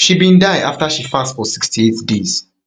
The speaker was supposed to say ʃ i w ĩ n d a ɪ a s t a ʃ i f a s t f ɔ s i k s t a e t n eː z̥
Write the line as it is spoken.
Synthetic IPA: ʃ i b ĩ n d a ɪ a f t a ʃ i f a s t f ɔ s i k s t i e t d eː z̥